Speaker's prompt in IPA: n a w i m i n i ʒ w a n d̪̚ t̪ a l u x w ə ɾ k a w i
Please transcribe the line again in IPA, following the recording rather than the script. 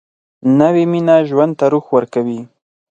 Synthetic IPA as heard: n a w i m i n a ʒ w a n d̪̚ t̪ a ɾ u x w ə ɾ k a w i